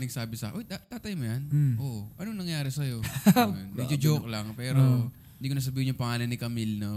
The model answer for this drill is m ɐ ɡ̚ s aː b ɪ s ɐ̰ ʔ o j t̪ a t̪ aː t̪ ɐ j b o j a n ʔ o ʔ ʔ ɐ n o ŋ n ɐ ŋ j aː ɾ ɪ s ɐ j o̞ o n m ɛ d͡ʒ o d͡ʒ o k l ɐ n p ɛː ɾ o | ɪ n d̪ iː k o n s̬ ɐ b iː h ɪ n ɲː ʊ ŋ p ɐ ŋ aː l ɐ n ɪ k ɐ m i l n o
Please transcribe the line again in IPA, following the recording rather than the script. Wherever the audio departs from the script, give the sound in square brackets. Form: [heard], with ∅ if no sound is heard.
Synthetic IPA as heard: [n] ɐ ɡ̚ s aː b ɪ s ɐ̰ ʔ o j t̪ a t̪ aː t̪ ɐ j [m] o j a n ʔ o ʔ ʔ ɐ n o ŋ n ɐ ŋ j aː ɾ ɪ s ɐ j o̞ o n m ɛ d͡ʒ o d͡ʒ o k l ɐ [ŋ] p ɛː ɾ o | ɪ n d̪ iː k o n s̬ ɐ b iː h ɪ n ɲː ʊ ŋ p ɐ ŋ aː l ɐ n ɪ k ɐ m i l n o